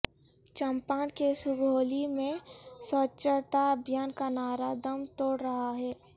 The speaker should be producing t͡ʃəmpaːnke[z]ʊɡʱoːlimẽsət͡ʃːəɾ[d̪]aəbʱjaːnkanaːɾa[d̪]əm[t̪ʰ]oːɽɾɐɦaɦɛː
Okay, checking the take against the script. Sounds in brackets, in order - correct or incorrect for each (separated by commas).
incorrect, incorrect, correct, incorrect